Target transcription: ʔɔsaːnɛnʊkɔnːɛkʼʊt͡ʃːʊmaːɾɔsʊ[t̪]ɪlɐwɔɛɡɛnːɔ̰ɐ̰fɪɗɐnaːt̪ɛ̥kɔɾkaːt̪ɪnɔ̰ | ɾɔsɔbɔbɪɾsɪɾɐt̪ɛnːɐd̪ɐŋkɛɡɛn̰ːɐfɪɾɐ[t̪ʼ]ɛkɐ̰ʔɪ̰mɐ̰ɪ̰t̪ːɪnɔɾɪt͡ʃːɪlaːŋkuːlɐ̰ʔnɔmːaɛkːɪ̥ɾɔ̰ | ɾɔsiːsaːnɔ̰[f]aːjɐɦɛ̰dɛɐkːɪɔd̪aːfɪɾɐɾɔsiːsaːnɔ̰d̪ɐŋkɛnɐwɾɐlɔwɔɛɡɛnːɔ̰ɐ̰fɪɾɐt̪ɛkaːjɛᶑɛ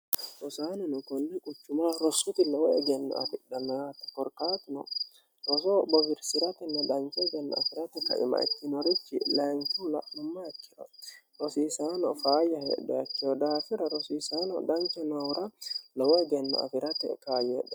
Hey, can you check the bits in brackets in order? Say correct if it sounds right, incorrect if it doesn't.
correct, incorrect: t̪, correct

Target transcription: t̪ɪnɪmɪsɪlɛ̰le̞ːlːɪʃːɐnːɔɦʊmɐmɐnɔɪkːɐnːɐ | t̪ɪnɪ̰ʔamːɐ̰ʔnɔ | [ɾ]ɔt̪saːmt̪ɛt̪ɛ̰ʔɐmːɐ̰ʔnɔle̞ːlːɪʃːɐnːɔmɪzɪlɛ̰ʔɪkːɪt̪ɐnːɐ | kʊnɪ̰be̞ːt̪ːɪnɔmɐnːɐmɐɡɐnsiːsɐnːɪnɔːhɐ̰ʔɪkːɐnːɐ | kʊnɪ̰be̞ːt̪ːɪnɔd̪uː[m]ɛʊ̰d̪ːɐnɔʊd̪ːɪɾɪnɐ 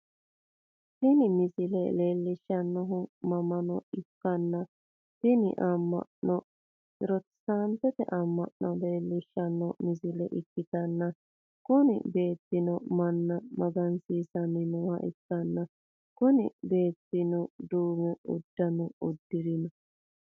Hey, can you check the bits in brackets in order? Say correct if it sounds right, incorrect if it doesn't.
correct, correct

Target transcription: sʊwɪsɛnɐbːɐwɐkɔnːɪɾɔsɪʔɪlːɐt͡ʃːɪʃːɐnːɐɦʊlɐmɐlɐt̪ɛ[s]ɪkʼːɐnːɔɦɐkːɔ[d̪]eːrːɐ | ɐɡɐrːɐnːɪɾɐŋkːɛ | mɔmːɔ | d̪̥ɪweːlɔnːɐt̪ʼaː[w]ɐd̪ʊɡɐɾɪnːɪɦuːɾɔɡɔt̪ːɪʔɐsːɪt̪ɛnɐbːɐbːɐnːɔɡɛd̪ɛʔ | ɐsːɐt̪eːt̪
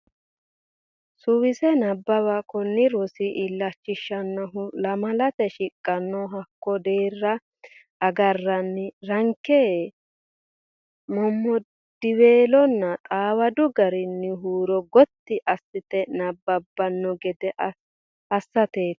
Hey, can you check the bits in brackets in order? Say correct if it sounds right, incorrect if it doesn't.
incorrect: ʃ, correct, correct

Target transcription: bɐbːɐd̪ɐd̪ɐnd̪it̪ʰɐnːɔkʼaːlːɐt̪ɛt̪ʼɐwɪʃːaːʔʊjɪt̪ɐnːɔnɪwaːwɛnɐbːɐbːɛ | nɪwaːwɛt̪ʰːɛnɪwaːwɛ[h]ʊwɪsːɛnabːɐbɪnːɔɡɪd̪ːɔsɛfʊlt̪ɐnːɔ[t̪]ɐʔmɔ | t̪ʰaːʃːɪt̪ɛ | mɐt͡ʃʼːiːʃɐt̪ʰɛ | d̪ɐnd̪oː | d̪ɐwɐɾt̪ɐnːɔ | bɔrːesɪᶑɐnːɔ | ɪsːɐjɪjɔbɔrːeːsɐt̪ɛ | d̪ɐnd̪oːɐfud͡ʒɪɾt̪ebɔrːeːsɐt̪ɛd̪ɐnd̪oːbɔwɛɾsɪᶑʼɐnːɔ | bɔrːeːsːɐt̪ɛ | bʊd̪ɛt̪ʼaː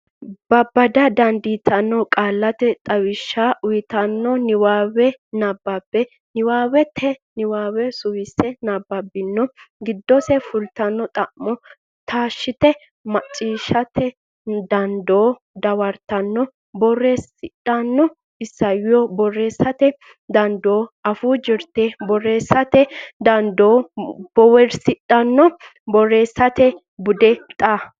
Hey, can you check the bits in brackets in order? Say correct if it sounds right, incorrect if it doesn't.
incorrect: s, incorrect: t̪ʼ

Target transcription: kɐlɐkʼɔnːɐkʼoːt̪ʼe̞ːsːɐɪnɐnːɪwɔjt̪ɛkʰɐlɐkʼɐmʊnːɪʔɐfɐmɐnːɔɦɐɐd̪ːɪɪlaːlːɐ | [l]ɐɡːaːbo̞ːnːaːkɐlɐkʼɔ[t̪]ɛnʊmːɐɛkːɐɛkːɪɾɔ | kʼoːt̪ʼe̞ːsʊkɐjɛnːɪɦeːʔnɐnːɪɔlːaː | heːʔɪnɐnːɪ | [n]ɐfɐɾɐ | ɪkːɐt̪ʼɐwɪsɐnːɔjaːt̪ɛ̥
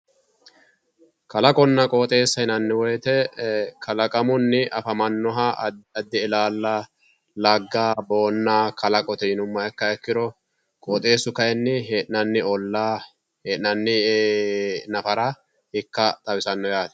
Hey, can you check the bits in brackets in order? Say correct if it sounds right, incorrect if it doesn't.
correct, correct, correct

